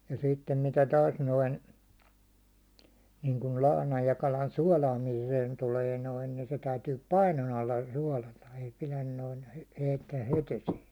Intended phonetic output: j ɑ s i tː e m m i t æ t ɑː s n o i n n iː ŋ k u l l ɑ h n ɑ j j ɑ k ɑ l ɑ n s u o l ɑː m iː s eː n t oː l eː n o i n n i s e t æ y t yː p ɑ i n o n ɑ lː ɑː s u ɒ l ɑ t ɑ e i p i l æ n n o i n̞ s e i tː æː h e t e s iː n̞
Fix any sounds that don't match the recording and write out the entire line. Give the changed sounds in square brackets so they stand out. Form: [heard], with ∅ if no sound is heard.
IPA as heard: j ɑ s i tː e m m i t æ t ɑː s n o i n n iː ŋ k u l l ɑ h n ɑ j j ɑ k ɑ l ɑ n s u [ɒ] l ɑː m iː s eː n t [uː] l eː n o i n n i s e t æ y t yː p ɑ i n o n ɑ lː [ɑ] s u ɒ l ɑ t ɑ e i p i l æ n n o i n̞ [h] e i tː æː h e t e s iː n̞